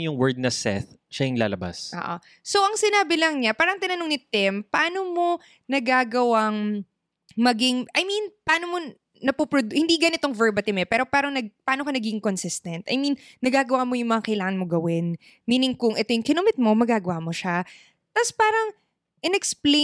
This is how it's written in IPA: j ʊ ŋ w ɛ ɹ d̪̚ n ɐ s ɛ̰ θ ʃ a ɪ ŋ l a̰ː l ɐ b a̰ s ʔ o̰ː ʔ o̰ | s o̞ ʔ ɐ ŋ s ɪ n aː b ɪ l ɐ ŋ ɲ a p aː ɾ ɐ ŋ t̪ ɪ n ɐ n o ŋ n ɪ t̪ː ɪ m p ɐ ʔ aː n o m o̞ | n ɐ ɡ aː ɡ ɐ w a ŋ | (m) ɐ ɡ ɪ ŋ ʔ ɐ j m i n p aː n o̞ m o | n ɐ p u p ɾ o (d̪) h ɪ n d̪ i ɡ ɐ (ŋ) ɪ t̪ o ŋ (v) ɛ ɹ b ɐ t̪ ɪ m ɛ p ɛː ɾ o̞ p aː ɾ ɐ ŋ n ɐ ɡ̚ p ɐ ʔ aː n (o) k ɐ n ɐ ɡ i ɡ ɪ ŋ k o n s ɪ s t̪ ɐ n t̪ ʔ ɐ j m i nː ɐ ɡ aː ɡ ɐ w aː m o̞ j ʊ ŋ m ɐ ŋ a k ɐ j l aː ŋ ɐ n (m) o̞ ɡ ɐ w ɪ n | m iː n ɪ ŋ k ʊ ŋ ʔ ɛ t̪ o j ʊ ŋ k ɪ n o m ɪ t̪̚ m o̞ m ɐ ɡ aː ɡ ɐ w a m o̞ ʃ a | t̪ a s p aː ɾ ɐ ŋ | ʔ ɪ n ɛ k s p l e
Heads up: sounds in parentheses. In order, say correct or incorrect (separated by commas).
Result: correct, correct, incorrect, correct, correct, correct